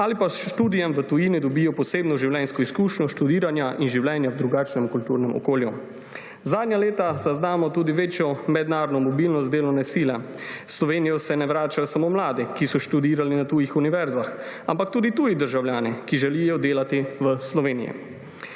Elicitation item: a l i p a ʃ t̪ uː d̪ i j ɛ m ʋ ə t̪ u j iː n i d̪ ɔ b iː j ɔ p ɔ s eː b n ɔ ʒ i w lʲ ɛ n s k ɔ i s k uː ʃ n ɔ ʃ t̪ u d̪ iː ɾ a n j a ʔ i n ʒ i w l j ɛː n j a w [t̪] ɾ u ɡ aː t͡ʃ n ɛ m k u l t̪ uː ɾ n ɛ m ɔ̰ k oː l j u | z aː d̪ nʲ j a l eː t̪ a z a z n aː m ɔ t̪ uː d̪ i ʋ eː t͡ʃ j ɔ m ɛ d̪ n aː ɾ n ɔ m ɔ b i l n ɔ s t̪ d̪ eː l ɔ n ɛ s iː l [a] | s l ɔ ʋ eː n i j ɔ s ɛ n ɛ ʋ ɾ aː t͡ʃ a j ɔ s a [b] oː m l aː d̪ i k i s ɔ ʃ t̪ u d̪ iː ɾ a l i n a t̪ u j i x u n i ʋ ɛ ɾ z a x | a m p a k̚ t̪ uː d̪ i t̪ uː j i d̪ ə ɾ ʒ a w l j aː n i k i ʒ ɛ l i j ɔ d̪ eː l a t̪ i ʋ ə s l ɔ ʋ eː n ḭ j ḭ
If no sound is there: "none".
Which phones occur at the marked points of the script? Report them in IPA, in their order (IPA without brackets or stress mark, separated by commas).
d̪, ɛ, m